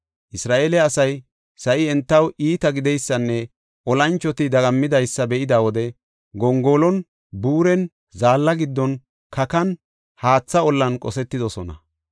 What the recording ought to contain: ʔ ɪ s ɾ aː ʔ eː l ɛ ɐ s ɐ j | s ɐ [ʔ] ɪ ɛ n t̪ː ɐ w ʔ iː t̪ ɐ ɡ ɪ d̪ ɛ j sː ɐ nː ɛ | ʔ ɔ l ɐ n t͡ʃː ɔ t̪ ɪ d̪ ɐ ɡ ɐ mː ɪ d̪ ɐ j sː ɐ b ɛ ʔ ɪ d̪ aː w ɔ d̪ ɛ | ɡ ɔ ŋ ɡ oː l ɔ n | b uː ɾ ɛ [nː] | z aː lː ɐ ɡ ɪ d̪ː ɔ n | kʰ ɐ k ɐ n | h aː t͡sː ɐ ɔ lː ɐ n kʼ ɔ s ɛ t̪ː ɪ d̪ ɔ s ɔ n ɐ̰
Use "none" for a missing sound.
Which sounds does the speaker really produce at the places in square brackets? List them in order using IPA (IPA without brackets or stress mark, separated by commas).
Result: ʔ, n